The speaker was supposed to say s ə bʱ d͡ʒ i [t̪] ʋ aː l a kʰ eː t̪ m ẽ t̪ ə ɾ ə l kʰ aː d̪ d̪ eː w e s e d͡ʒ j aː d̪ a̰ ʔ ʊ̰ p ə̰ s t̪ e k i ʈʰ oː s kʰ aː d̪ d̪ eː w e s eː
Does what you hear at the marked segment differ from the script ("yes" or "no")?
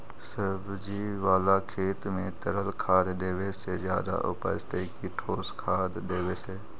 yes